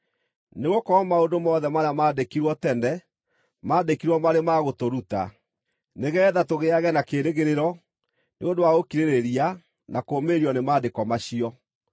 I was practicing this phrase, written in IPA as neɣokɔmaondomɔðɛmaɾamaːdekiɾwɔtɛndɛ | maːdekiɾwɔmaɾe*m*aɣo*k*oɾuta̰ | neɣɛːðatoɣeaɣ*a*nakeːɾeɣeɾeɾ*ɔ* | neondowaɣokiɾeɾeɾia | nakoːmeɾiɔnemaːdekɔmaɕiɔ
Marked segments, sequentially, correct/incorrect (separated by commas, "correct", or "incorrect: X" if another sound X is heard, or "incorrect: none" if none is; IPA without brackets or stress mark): correct, incorrect: t, incorrect: ɛ, correct